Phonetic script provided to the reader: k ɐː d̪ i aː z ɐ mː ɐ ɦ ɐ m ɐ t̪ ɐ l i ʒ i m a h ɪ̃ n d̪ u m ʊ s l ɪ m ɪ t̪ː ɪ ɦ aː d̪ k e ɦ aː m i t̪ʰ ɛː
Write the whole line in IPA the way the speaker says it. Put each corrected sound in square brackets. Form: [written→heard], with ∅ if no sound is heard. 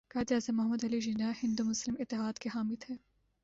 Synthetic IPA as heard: k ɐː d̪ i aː z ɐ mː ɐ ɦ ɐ m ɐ [t̪→d̪] ɐ l i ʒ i [m→n] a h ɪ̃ n d̪ u m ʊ s l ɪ m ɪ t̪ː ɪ ɦ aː d̪ k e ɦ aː m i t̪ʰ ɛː